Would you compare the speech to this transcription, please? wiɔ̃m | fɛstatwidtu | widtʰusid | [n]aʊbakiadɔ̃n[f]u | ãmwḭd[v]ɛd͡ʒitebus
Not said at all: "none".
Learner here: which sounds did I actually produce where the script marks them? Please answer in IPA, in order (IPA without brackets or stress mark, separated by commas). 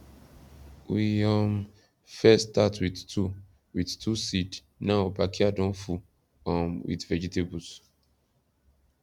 n, f, v